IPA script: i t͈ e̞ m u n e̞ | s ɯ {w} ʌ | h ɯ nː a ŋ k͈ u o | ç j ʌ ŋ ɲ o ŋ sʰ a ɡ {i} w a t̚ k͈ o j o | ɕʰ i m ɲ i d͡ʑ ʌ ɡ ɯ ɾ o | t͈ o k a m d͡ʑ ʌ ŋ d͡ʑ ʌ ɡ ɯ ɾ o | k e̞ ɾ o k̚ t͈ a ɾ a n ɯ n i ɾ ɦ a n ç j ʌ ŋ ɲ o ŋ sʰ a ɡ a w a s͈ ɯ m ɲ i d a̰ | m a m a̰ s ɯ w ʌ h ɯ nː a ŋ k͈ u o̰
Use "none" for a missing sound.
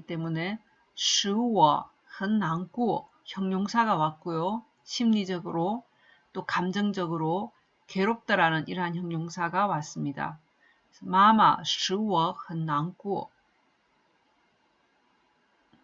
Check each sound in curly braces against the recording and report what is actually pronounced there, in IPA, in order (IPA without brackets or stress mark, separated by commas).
w, a